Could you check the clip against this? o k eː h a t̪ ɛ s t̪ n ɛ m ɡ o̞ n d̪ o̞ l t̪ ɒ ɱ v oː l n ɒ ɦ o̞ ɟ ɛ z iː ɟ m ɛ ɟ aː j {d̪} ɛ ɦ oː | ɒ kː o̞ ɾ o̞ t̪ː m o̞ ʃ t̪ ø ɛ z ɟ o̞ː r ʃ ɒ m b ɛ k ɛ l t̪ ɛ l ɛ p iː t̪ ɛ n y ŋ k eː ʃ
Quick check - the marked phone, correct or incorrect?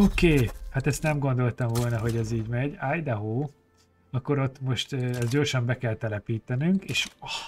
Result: correct